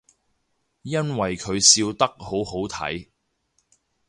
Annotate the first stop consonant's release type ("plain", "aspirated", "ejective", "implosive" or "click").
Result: aspirated